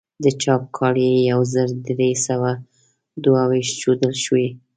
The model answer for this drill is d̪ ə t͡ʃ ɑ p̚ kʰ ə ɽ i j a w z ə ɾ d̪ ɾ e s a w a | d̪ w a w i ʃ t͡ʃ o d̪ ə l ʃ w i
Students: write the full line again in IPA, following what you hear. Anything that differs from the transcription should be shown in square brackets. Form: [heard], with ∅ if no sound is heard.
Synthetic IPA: d̪ ə t͡ʃ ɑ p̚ kʰ [ɑ] ɽ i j a w z ə ɾ d̪ ɾ e s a w a | d̪ w a w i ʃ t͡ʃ o d̪ ə l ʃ w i

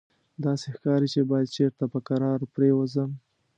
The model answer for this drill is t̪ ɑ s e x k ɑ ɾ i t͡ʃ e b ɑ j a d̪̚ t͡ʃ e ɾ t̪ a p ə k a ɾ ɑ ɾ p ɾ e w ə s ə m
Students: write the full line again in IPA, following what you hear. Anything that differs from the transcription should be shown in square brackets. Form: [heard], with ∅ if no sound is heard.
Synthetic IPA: [d̪] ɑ s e x k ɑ ɾ i t͡ʃ e b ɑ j a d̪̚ t͡ʃ e ɾ t̪ a p ə k a ɾ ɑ ɾ p ɾ e w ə [z] ə m

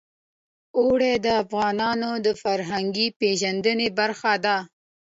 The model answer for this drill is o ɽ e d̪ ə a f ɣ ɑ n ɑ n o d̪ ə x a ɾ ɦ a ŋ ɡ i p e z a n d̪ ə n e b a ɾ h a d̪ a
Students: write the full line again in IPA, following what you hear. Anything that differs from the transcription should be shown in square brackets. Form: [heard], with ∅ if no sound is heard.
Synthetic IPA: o ɽ e d̪ ə a f ɣ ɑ n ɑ n o d̪ ə [f] a ɾ ɦ a ŋ ɡ i p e [ʒ] a n d̪ ə n e b a ɾ [x] a d̪ a

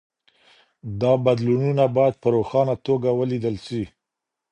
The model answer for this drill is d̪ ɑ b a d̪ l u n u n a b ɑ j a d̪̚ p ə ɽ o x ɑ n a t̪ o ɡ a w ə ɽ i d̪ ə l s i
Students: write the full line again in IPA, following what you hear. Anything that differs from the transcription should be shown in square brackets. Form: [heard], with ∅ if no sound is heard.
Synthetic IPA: d̪ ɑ b a d̪ l u n u n a b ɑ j a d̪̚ p ə [ɾ] o x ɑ n a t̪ o ɡ a w ə [l] i d̪ ə l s i

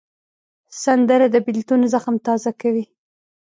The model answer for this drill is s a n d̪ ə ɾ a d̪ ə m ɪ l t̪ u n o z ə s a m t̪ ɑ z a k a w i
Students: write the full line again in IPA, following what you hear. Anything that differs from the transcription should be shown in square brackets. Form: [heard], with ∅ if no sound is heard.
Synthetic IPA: s a n d̪ ə ɾ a d̪ ə [b] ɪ l t̪ u n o z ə [x] a m t̪ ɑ z a k a w i

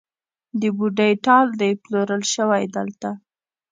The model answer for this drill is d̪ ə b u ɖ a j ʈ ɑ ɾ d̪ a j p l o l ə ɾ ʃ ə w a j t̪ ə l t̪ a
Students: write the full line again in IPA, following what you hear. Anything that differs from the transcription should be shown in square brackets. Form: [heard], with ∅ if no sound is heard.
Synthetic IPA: d̪ ə b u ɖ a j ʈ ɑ [l] d̪ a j p l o [ɾ] ə [l] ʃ ə w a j [d̪] ə l t̪ a

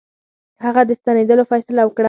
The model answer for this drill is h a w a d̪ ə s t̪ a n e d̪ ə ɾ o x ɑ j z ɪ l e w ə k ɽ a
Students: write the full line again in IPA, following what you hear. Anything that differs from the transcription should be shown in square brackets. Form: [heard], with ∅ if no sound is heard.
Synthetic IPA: h a [ɣ] a d̪ ə s t̪ a n e d̪ ə [l] o [f] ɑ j [s] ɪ l [a] w ə k ɽ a

